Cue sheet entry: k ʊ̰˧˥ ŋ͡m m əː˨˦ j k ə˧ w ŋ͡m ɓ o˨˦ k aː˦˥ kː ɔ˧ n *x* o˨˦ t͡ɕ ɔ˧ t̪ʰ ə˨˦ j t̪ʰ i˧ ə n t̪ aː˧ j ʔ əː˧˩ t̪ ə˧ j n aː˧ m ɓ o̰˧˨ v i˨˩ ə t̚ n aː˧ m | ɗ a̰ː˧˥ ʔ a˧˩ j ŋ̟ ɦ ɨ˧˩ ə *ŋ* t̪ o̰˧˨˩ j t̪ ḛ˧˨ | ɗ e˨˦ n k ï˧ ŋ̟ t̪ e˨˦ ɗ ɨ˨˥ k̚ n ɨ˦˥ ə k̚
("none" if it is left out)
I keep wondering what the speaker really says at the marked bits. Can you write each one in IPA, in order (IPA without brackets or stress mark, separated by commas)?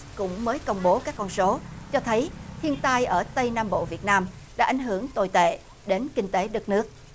s, ŋ